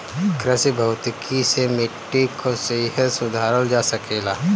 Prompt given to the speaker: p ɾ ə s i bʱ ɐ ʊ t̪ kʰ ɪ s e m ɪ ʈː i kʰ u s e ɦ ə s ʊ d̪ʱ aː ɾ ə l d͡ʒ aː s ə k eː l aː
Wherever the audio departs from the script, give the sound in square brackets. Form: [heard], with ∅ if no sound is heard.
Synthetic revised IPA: [k] ɾ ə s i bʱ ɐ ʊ t̪ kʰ [i] s e m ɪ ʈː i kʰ [o] s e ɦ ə s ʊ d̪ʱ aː ɾ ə l d͡ʒ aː s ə k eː l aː